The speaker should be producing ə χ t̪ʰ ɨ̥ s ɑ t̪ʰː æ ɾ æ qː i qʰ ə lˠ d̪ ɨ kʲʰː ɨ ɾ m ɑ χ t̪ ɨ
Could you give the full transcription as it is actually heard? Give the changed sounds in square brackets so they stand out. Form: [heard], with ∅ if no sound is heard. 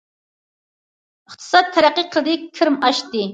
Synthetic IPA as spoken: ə χ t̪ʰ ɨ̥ s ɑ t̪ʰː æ ɾ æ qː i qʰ ə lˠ d̪ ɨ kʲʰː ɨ ɾ m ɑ [ʃ] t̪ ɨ